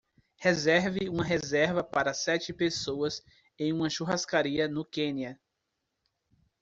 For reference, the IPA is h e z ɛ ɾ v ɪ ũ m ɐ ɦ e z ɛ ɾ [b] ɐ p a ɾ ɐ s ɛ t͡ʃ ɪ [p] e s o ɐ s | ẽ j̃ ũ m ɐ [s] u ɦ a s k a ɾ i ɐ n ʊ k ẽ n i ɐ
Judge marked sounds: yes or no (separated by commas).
no, yes, no